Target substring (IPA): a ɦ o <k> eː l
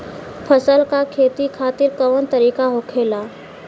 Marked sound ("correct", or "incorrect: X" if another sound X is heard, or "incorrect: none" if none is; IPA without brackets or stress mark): incorrect: kʰ